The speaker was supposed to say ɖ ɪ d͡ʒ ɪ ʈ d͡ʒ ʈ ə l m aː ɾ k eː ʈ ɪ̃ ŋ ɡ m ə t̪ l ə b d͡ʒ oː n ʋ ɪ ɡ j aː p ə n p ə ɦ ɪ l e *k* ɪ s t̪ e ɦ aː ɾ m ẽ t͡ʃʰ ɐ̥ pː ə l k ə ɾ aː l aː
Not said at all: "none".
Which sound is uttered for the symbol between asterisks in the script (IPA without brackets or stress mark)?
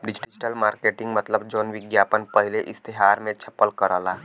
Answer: ʔ